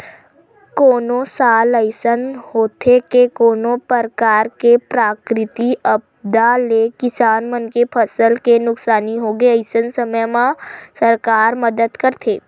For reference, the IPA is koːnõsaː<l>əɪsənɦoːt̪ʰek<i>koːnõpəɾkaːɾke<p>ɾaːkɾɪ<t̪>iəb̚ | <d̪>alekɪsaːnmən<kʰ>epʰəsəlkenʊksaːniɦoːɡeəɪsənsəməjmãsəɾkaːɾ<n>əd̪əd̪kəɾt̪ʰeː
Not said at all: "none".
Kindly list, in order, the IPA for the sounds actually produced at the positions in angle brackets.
l, e, p, t̪, d̪, k, m

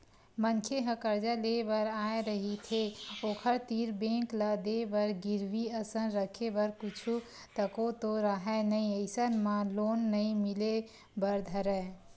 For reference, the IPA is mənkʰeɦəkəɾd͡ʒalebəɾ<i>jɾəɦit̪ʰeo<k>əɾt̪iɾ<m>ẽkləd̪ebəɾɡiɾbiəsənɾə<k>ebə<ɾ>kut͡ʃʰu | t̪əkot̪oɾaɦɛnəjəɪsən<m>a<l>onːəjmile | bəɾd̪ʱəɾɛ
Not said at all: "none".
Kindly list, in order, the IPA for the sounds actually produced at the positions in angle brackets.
a, kʰ, b, kʰ, ɾ, m, l

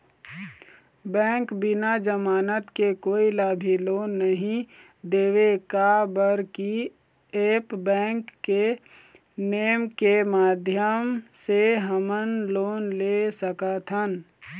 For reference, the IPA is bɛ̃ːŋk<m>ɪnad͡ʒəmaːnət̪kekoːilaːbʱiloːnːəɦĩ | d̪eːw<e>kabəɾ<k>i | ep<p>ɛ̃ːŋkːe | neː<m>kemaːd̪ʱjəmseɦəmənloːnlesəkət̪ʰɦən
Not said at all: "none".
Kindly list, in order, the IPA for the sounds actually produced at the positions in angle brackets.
b, e, k, b, m

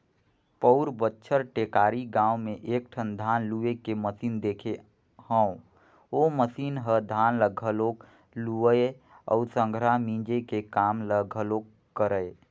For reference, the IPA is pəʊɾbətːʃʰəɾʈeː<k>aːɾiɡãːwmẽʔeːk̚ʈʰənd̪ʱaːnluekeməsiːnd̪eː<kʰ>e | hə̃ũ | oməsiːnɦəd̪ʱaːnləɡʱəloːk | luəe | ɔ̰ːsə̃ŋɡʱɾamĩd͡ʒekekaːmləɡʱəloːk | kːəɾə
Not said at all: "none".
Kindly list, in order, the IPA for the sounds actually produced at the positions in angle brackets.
k, kʰ

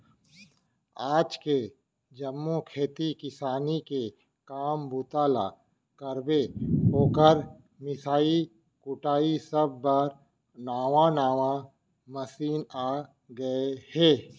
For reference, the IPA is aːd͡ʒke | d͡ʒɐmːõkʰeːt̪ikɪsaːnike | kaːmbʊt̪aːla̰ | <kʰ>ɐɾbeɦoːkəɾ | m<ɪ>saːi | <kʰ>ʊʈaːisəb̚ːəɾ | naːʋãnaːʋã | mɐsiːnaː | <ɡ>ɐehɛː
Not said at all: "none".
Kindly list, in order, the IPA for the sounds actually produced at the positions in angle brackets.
k, ɪ, k, ɡ

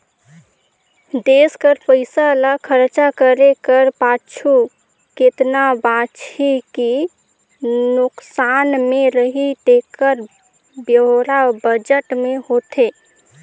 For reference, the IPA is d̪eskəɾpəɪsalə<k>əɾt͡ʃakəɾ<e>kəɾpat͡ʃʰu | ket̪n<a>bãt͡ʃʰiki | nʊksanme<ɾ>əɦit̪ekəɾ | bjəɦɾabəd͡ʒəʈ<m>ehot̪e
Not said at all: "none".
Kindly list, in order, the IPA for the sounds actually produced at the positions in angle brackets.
kʰ, e, a, ɾ, m

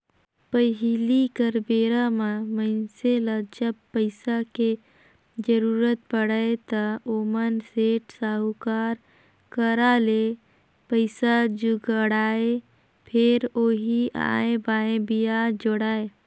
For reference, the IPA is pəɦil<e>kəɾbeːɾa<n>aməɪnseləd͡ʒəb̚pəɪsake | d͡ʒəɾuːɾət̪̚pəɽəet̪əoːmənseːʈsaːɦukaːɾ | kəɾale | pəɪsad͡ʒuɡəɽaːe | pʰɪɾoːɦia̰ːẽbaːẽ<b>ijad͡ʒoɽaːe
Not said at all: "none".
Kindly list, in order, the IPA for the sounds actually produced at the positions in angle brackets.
i, m, b

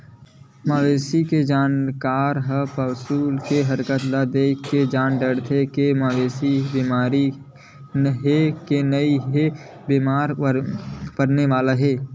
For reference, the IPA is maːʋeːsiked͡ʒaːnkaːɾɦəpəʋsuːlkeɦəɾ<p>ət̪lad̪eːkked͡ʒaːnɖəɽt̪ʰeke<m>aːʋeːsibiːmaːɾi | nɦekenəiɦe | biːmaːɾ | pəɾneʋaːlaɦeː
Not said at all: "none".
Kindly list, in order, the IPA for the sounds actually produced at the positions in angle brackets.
k, m

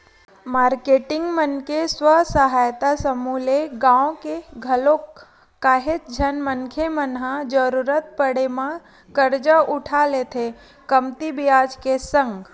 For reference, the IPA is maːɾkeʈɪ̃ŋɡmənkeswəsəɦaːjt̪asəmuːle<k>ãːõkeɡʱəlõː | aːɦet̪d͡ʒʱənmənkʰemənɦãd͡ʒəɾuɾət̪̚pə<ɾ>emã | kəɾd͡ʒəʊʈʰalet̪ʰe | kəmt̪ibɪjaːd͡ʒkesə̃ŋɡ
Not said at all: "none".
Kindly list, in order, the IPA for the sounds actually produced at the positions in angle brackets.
ɡ, ɽ

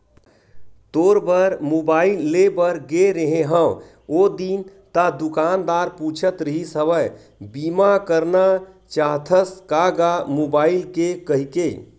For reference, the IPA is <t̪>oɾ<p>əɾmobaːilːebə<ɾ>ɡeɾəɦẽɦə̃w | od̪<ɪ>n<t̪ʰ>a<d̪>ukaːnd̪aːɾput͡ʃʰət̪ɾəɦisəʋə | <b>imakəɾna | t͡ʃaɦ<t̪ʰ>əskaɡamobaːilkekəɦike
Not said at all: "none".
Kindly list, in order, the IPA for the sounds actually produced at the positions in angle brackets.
t̪, b, ɾ, i, t̪, d̪, b, t̪ʰ

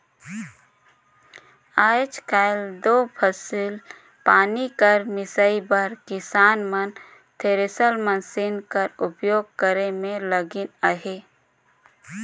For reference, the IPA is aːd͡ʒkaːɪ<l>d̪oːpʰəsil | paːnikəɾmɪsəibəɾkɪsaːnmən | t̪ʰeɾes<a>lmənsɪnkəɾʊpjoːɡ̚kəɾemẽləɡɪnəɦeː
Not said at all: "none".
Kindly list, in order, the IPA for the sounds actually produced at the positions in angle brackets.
l, ə

